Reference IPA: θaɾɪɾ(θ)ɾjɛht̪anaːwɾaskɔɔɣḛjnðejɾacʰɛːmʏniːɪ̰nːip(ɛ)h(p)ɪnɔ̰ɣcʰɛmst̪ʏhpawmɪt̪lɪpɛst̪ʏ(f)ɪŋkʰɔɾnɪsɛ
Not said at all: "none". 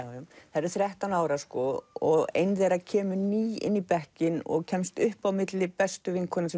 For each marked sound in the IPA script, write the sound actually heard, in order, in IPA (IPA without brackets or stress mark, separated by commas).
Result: θ, ɛ, c, v